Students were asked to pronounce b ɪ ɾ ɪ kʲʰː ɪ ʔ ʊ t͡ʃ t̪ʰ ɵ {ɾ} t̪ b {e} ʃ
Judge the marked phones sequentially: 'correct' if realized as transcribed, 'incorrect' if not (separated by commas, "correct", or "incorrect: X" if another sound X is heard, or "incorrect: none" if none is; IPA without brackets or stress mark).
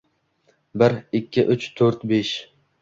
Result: correct, correct